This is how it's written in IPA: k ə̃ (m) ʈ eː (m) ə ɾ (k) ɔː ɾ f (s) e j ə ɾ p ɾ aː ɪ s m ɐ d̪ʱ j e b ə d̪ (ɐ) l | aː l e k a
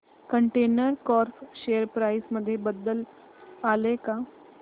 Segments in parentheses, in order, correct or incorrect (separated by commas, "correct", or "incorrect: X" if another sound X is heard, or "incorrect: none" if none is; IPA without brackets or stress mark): incorrect: ɳ, incorrect: n, correct, incorrect: ʃ, incorrect: ə